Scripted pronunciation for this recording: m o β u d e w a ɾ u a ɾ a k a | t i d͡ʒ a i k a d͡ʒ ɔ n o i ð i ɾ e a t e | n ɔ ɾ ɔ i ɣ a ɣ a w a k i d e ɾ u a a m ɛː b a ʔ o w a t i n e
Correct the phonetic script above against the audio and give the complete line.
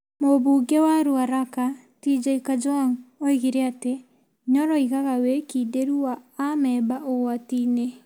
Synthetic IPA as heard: m o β u ɡ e w a ɾ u a ɾ a k a | t i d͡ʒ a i k a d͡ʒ ɔ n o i ɣ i ɾ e a t e | ɲ ɔ ɾ ɔ i ɣ a ɣ a w e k i d e ɾ u a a m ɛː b a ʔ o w a t i n e

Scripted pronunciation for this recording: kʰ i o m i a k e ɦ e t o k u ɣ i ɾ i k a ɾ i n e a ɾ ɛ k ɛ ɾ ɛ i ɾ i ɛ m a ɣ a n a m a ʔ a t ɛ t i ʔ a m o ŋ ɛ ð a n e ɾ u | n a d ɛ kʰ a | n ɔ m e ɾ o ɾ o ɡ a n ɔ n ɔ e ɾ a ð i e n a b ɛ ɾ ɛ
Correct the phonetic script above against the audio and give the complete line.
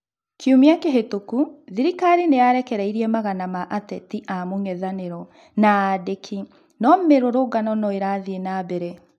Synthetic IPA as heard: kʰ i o m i a k e ɦ e t o k u ð i ɾ i k a ɾ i n e a ɾ ɛ k ɛ ɾ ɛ i ɾ i ɛ m a ɣ a n a m a ʔ a t ɛ t i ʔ a m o ŋ ɛ ð a n e ɾ ɔ | n a d e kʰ i | n ɔ m e ɾ o ɾ o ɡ a n ɔ n ɔ e ɾ a ð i e n a b ɛ ɾ ɛ

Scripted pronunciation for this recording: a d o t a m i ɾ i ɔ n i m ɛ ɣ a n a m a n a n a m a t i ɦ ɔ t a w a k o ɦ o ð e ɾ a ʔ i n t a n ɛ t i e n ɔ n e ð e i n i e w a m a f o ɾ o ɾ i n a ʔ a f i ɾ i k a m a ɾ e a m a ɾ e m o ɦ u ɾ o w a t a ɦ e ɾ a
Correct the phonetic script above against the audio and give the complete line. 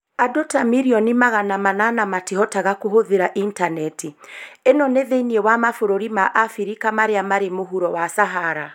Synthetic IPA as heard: a d o t a m i ɾ i ɔ n i m a ɣ a n a m a n a n a m a t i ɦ ɔ t a ɣ a k o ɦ o ð e ɾ a ʔ i n t a n ɛ t i e n ɔ n e ð e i n i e w a m a f o ɾ o ɾ i m a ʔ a f i ɾ i k a m a ɾ e a m a ɾ e m o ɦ u ɾ ɔ w a s a ɦ a ɾ a

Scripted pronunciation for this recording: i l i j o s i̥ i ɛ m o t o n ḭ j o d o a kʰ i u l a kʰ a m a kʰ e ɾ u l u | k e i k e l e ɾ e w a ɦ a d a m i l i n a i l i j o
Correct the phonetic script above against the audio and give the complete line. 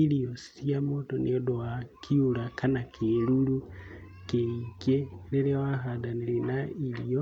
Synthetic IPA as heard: i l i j o s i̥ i a m o t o n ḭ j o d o a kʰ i u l a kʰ a n a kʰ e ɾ u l u | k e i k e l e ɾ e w a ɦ a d a n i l i n a i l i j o

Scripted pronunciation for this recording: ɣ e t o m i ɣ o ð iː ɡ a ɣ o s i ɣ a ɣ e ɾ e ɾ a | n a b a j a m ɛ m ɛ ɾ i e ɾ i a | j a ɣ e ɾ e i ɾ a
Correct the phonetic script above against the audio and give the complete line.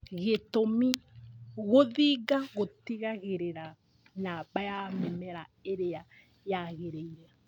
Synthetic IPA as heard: ɣ e t o m i ɣ o ð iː ɡ a ɣ o t i ɣ a ɣ e ɾ e ɾ a | n a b a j a m ɛ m ɛ ɾ a e ɾ e a | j a ɣ e ɾ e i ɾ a

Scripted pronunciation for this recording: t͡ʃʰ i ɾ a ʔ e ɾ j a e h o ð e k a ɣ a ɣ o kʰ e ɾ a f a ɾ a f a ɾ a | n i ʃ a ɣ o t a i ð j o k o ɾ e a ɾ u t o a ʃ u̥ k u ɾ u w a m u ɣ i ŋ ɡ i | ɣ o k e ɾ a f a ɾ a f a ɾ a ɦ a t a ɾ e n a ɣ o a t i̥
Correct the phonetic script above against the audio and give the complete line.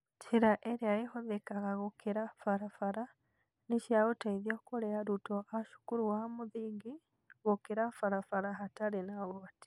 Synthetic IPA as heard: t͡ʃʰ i ɾ a ʔ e ɾ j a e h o ð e k a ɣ a ɣ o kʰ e ɾ a f a ɾ a f a ɾ a | n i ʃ a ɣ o t a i ð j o k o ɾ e a ɾ u t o a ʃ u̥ k u ɾ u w a m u ð i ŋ ɡ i | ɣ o k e ɾ a f a ɾ a f a ɾ a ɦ a t a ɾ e n a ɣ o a t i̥

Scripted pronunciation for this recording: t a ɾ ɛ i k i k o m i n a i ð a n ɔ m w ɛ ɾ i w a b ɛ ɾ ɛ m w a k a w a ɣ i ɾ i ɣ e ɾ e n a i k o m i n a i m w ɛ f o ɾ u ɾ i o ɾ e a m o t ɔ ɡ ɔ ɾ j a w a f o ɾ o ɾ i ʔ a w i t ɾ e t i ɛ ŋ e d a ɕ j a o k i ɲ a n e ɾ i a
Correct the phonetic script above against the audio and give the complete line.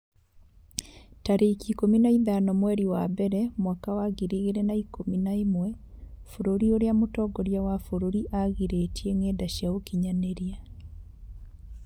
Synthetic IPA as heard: t a ɾ e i k i k o m i n a i ð a n ɔ m w ɛ ɾ i w a b ɛ ɾ ɛ m w a k a w a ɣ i ɾ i ɣ e ɾ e n a i k o m i n a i m w ɛ f o ɾ o ɾ i o ɾ e a m o t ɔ ɡ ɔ ɾ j a w a f o ɾ o ɾ i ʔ a ɣ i ɾ e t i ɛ ŋ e d a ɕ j a o k i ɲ a n e ɾ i a

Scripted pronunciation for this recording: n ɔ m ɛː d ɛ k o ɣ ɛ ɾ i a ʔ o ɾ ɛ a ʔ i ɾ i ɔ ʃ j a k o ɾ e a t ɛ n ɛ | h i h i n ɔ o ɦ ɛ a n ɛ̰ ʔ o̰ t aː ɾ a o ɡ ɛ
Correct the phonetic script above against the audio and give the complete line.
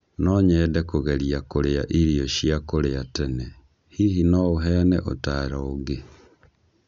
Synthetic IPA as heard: n ɔ ɲ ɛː d ɛ k o ɣ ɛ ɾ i a k o ɾ e a ʔ i ɾ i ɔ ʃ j a k o ɾ e a t ɛ n ɛ | h i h i n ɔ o ɦ ɛ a n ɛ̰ ʔ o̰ t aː ɾ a o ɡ e

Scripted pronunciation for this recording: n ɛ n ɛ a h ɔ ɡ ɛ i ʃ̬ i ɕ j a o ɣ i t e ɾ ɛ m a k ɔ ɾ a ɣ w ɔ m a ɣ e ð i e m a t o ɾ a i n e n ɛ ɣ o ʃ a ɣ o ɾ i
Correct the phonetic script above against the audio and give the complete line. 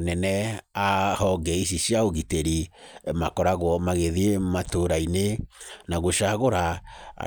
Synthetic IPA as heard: n ɛ n ɛ a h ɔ ɡ ɛ i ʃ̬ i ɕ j a o ɣ i t e ɾ i m a k ɔ ɾ a ɣ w ɔ m a ɣ e ð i e m a t o ɾ a i n e n a ɣ o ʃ a ɣ o ɾ a

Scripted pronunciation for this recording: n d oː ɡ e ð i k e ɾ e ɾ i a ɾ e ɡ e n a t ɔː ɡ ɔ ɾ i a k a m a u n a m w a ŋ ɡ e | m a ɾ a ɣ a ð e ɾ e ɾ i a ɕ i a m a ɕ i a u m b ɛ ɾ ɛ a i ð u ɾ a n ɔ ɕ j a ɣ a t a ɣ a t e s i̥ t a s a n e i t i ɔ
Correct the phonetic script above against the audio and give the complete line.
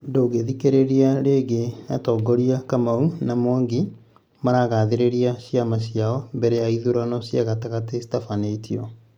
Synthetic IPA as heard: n d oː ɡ e ð i k e ɾ e ɾ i a ɾ e ɡ e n a t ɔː ɡ ɔ ɾ i a k a m a u n a m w a ŋ ɡ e | m a ɾ a ɣ a ð e ɾ e ɾ i a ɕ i a m a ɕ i a ɔ m b ɛ ɾ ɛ a i ð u ɾ a n ɔ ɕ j a ɣ a t a ɣ a t e s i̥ t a f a n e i t i ɔ

